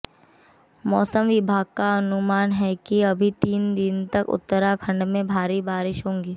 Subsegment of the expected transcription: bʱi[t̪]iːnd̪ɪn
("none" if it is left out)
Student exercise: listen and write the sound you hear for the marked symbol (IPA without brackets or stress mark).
t̪